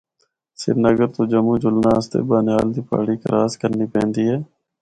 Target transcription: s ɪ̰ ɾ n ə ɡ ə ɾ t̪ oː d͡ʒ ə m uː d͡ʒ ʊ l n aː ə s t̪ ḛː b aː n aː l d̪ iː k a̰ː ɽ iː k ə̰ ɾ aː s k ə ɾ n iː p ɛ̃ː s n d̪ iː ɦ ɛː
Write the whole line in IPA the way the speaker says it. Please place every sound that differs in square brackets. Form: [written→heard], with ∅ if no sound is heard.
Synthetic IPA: s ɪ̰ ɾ n ə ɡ ə ɾ t̪ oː d͡ʒ ə m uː d͡ʒ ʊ l n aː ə s t̪ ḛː b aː n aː l d̪ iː [k→p] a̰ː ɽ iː k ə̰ ɾ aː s k ə ɾ n iː p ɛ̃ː [s→∅] n d̪ iː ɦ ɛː